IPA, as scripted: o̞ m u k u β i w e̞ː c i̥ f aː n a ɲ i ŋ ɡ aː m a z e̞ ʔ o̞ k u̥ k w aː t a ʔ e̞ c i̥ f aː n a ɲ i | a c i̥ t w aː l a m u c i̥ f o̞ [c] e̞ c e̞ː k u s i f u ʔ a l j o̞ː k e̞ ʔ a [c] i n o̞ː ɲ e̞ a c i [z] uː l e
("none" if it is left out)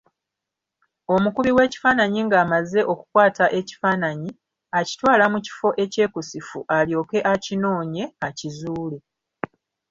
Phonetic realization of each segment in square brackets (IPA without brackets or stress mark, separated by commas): ʔ, c, z